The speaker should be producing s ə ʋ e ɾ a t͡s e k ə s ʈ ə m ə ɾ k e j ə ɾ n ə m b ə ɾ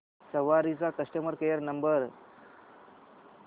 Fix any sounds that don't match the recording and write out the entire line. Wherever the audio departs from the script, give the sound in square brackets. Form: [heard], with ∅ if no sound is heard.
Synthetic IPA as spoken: s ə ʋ [a] ɾ [i] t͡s [a] k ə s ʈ ə m ə ɾ k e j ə ɾ n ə m b ə ɾ